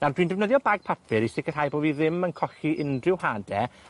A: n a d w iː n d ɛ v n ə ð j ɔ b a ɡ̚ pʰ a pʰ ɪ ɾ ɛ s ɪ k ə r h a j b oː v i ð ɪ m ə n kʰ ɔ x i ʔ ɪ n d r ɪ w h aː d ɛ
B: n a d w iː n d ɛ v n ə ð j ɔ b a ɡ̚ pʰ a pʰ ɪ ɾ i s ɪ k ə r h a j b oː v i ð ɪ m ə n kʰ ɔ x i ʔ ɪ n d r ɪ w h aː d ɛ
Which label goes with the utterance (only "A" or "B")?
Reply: B